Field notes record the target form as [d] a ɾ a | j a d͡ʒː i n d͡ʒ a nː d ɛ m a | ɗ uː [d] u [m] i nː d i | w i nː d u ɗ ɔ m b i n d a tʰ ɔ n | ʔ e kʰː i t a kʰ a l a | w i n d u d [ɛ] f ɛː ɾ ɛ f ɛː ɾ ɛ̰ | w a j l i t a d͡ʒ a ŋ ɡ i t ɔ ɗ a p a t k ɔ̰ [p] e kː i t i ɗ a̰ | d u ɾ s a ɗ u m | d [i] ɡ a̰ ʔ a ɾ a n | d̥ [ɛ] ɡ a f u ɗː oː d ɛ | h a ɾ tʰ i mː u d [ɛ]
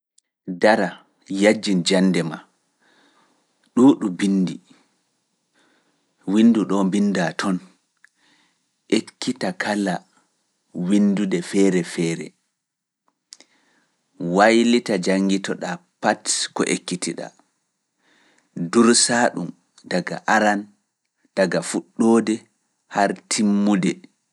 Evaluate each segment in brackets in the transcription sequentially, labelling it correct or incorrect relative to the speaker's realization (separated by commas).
correct, incorrect, incorrect, correct, incorrect, incorrect, incorrect, correct